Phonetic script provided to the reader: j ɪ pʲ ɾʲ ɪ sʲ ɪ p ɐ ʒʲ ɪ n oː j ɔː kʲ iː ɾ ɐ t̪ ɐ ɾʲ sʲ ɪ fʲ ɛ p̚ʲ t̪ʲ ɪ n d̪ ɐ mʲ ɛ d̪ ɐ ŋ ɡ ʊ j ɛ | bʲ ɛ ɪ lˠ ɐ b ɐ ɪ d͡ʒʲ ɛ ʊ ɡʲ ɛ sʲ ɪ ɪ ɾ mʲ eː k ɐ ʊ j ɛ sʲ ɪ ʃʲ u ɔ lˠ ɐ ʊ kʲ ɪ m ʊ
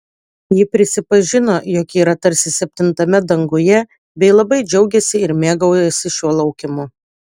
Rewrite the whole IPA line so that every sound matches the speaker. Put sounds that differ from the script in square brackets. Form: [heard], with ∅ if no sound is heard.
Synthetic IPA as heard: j ɪ pʲ ɾʲ ɪ sʲ ɪ p ɐ ʒʲ ɪ n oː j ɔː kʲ iː ɾ ɐ t̪ ɐ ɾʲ sʲ ɪ [sʲ] ɛ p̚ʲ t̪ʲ ɪ n [t̪] ɐ mʲ ɛ d̪ ɐ ŋ ɡ ʊ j ɛ | bʲ ɛ ɪ lˠ ɐ b ɐ ɪ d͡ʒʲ ɛ ʊ ɡʲ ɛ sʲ ɪ ɪ ɾ mʲ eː [ɡ] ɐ ʊ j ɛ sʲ ɪ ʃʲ u ɔ lˠ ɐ ʊ kʲ ɪ m ʊ